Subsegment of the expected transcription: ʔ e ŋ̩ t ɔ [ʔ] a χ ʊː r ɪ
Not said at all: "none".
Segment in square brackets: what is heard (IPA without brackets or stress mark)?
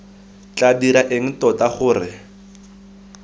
t